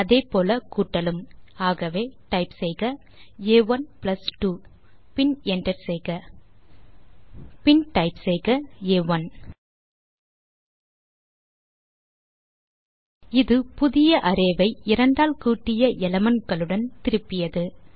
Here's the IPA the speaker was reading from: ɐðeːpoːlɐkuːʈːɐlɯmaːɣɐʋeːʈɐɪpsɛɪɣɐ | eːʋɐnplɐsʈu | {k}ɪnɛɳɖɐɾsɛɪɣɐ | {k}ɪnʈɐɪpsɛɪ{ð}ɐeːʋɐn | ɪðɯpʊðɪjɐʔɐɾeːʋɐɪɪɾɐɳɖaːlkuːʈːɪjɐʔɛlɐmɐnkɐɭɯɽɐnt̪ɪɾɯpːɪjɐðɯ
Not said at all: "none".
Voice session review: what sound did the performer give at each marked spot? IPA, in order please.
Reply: p, p, ɣ

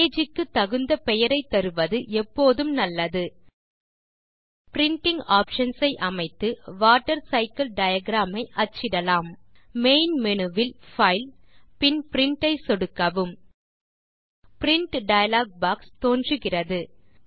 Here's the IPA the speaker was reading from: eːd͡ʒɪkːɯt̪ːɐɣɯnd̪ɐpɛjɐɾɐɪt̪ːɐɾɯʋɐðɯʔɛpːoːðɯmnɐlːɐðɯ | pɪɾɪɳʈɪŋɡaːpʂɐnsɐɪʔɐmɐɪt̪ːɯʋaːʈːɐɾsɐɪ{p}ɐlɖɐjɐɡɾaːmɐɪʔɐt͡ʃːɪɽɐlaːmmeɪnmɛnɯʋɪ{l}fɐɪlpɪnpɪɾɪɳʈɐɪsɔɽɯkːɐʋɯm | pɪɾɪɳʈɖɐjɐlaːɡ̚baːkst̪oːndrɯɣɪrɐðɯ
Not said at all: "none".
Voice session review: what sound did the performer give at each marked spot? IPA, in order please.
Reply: k, l

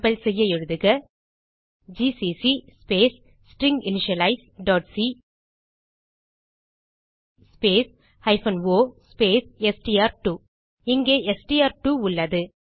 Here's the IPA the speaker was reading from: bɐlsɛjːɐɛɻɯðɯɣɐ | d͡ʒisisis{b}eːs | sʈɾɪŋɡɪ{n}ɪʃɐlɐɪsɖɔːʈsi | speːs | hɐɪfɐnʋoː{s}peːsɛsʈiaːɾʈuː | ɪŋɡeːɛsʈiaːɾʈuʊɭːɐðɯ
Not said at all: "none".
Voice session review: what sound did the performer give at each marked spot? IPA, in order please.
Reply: p, n, s

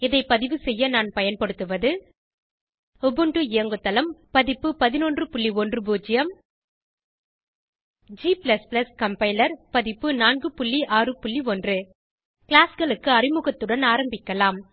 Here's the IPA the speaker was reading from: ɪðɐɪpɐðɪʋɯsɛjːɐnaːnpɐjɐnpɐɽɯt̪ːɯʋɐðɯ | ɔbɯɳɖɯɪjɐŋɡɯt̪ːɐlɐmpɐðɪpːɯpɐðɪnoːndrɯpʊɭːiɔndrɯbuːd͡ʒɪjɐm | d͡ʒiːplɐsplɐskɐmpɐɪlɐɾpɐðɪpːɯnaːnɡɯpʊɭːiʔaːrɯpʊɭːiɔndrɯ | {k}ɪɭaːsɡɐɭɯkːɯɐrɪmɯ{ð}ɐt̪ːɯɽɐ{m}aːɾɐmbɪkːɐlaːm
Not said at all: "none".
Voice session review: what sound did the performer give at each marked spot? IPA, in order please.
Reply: k, ɣ, n

